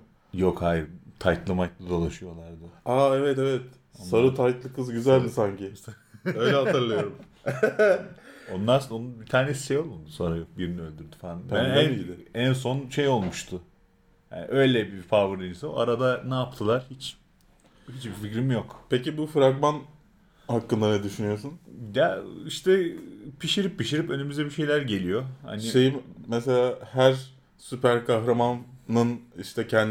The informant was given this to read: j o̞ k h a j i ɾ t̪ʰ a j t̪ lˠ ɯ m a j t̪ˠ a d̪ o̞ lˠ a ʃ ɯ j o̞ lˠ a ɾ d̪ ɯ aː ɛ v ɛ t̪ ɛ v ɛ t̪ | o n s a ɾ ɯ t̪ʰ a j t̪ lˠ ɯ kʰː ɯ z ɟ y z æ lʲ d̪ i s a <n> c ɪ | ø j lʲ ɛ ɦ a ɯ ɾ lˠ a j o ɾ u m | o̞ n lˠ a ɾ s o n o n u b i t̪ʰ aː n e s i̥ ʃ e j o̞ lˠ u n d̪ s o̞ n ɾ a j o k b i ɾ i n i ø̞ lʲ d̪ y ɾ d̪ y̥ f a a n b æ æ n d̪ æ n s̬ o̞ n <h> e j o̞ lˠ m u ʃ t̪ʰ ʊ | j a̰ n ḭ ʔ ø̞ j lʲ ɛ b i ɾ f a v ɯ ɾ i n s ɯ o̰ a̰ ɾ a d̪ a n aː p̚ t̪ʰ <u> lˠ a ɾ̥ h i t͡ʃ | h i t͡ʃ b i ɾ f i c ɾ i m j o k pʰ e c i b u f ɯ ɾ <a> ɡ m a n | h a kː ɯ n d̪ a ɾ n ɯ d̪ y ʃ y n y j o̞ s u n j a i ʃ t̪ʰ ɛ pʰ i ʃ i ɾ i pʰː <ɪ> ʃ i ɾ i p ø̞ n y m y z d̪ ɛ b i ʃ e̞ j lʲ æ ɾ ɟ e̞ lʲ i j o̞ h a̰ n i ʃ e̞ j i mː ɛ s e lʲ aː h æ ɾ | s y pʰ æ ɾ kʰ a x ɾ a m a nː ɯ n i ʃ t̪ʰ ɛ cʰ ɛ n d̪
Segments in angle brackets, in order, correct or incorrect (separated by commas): incorrect, incorrect, incorrect, correct, incorrect